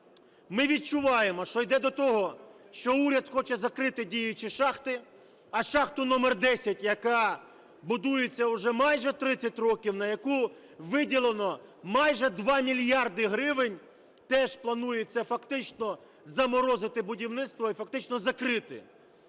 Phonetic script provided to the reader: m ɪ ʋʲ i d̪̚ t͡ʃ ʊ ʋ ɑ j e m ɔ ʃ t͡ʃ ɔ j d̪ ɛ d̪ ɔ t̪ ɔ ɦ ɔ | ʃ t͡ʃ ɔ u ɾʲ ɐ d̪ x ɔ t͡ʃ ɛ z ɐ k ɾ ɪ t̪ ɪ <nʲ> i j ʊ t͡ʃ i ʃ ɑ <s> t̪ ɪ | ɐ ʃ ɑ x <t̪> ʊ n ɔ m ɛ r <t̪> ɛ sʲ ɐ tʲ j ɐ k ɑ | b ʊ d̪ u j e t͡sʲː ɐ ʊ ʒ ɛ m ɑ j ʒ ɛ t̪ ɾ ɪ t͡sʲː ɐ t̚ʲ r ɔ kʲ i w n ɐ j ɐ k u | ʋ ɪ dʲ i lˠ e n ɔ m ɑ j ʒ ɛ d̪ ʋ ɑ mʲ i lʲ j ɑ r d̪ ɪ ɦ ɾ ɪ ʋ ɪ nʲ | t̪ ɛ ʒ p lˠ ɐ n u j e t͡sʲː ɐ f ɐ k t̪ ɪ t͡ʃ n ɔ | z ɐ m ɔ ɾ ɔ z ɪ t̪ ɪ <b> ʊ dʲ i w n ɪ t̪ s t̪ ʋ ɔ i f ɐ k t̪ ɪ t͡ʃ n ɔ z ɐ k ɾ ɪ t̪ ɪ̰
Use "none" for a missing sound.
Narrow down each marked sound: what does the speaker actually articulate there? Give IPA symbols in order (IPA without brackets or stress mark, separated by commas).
dʲ, x, t̪, d̪, b